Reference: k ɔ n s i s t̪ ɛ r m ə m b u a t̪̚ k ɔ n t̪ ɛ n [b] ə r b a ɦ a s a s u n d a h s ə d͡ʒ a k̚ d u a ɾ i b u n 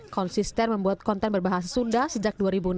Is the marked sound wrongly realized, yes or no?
no